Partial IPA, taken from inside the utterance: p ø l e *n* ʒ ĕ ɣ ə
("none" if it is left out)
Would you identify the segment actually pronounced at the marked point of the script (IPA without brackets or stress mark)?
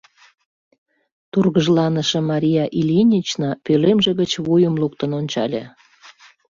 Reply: m